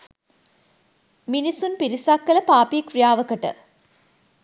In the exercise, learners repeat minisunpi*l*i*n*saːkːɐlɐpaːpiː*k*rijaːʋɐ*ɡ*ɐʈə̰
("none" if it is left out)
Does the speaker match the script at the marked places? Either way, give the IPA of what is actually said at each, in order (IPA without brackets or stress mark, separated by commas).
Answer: ɾ, none, k, k